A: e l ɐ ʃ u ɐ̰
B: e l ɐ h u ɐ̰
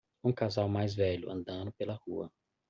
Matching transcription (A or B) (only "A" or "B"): B